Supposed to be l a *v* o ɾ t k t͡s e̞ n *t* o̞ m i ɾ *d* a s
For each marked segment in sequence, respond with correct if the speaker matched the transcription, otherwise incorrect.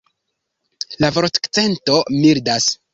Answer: correct, correct, correct

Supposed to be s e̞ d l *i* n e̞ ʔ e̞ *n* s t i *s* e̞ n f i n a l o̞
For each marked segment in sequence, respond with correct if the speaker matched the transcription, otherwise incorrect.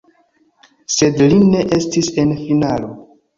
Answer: correct, incorrect: none, correct

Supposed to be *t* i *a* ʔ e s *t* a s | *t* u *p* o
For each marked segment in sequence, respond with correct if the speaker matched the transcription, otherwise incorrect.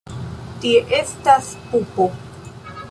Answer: correct, incorrect: e, correct, incorrect: p, correct

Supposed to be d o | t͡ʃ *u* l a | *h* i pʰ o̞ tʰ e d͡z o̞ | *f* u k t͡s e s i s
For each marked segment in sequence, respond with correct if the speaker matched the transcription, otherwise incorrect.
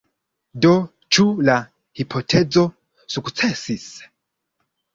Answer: correct, correct, incorrect: s

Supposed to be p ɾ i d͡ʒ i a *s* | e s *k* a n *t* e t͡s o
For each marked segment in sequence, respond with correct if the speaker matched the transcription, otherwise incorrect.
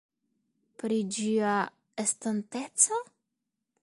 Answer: incorrect: none, incorrect: t, correct

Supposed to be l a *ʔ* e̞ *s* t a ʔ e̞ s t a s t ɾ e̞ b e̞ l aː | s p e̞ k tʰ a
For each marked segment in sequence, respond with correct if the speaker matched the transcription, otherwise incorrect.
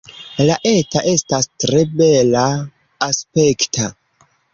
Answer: correct, incorrect: none

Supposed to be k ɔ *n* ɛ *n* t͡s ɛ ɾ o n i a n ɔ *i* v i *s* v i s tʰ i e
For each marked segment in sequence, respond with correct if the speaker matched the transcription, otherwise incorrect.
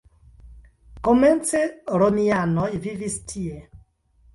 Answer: incorrect: m, correct, correct, incorrect: none

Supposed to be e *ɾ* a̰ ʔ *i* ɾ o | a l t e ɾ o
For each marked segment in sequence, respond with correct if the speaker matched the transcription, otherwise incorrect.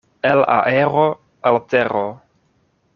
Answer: incorrect: l, incorrect: e

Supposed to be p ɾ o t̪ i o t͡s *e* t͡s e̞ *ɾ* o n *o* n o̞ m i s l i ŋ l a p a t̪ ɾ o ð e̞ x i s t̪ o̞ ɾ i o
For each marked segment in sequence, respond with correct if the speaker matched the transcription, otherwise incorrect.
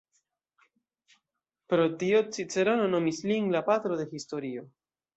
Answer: incorrect: i, correct, correct

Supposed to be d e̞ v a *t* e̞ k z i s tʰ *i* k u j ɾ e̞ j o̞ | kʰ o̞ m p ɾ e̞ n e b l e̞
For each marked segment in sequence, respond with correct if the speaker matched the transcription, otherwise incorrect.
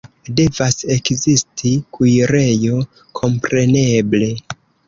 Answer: incorrect: s, correct

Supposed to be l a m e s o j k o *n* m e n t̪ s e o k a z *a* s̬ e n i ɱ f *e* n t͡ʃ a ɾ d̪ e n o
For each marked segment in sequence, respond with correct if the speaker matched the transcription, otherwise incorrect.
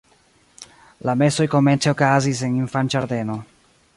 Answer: incorrect: none, incorrect: i, incorrect: a

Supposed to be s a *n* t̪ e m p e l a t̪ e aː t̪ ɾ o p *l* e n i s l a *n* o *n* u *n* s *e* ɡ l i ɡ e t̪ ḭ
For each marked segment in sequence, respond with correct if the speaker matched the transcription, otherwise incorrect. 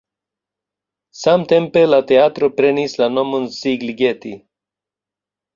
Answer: incorrect: m, incorrect: ɾ, correct, incorrect: m, correct, incorrect: i

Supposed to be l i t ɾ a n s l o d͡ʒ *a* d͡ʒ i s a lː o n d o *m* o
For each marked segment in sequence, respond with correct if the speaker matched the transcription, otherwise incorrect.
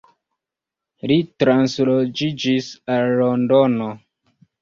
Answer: incorrect: i, incorrect: n

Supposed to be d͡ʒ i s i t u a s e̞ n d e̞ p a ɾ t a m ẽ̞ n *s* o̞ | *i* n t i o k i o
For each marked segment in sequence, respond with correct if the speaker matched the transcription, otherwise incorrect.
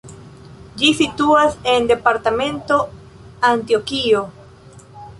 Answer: incorrect: t, incorrect: a

